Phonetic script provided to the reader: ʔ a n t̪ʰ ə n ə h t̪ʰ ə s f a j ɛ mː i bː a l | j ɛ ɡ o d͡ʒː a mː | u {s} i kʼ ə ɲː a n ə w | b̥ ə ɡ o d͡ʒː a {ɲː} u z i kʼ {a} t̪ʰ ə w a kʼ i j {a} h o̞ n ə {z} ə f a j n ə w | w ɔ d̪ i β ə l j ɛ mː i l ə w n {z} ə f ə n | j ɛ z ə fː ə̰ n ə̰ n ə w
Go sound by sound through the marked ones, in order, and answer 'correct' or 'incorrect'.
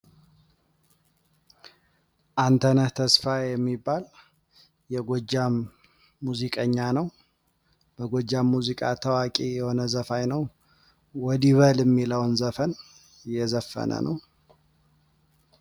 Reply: incorrect: z, incorrect: mː, correct, incorrect: ɛ, correct, correct

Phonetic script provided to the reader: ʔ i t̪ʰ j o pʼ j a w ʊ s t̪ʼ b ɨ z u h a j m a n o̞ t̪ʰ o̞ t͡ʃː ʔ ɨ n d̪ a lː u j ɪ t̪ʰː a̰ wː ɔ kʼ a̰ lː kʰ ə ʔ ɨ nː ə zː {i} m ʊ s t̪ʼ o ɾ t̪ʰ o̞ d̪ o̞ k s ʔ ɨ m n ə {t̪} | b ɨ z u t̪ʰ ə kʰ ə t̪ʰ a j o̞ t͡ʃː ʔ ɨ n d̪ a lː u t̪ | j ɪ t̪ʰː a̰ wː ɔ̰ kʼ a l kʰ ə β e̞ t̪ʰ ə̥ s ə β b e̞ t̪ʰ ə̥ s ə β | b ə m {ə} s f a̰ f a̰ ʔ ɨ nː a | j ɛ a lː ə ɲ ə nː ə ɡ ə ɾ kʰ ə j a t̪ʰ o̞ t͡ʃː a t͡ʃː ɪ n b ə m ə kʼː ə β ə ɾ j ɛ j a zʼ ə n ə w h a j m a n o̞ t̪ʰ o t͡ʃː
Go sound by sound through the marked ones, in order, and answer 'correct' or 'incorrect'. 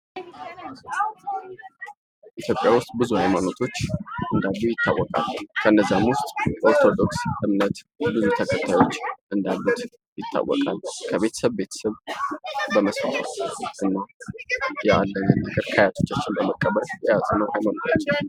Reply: incorrect: a, correct, correct

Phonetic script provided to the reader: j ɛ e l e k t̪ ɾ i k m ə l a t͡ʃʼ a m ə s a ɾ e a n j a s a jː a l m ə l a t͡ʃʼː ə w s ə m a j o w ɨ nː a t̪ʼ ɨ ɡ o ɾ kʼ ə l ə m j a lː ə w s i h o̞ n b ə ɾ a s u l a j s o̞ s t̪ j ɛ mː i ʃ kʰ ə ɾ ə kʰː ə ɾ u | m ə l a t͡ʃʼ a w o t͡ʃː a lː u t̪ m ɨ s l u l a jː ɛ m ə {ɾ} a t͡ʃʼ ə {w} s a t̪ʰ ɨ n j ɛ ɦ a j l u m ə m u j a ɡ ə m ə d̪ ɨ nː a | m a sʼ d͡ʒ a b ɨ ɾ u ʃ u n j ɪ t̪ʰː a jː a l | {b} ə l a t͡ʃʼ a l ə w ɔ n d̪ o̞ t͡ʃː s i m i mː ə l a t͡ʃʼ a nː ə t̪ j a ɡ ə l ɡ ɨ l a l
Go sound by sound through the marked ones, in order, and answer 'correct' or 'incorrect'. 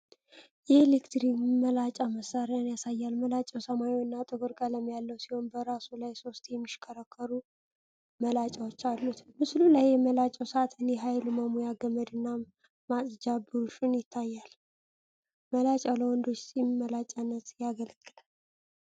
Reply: incorrect: l, correct, incorrect: m

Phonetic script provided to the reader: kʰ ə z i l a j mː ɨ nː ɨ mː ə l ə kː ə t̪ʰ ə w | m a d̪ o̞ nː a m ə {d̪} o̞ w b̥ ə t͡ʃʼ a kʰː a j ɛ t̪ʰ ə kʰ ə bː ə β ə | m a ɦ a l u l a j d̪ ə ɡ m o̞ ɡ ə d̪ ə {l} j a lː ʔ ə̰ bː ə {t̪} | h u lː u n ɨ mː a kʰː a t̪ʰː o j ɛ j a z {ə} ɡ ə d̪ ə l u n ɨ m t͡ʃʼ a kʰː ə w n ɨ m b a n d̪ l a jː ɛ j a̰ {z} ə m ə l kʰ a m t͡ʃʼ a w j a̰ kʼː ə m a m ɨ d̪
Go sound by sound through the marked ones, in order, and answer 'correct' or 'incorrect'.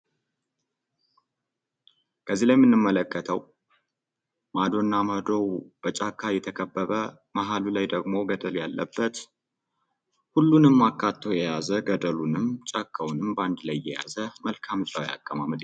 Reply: correct, correct, correct, correct, correct

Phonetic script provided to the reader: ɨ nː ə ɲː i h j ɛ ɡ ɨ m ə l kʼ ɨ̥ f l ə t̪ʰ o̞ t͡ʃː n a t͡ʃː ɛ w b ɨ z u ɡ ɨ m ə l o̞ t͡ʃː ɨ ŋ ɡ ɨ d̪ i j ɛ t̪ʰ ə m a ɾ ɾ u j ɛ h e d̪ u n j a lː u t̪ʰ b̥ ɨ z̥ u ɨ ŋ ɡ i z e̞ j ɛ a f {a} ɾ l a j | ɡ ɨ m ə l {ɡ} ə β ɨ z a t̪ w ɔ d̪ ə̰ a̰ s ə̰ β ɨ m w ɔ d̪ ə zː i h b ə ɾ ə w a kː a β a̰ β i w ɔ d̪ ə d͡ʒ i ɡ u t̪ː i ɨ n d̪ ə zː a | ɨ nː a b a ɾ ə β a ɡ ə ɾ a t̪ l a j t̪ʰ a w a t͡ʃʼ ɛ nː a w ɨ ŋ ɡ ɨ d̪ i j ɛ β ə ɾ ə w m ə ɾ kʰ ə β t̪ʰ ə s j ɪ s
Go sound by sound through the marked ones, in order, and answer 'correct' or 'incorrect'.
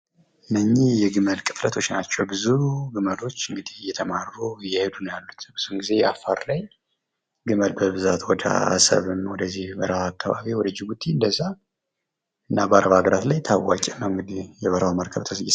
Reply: correct, incorrect: b

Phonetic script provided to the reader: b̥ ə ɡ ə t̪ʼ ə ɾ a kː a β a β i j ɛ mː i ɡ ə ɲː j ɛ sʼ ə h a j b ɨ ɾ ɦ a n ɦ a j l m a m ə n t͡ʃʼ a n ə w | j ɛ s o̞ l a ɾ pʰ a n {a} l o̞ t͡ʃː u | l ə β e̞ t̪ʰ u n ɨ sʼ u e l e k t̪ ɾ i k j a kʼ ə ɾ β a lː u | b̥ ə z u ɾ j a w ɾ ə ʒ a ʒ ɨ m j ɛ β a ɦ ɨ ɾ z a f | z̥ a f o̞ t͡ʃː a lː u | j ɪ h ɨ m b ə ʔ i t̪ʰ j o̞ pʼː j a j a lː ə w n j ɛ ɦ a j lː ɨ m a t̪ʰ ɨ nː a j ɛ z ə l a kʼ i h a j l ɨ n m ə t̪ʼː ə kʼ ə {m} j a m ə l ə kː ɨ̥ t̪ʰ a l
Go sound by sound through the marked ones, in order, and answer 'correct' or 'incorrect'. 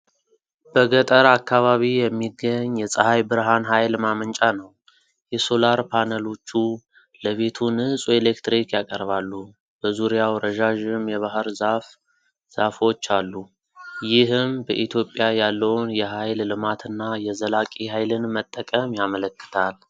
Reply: incorrect: ə, correct

